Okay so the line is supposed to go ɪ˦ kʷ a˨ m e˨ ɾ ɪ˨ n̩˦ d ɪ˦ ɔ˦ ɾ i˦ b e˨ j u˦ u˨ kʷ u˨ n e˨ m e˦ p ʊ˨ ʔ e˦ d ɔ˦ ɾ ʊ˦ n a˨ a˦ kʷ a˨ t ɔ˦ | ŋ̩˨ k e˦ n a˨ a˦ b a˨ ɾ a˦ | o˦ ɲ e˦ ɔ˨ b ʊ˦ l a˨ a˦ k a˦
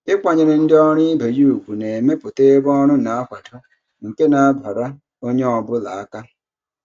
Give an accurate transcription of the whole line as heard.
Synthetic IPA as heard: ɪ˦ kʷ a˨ ɲ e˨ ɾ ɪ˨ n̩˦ d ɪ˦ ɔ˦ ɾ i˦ b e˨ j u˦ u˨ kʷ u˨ n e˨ m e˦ p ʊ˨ t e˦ b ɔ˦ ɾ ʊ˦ n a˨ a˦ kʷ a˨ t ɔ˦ | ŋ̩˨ k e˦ n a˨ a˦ b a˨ ɾ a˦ | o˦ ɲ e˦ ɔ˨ b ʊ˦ l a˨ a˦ k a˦